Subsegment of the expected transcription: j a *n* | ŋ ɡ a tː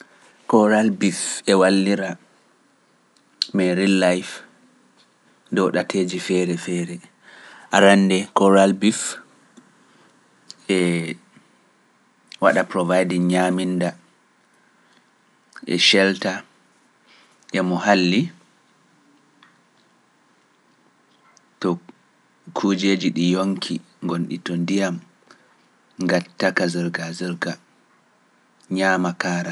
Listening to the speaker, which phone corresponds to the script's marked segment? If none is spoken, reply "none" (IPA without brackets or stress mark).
m